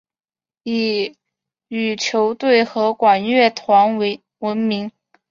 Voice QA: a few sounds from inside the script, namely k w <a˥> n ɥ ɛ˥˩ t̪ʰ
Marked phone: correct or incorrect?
incorrect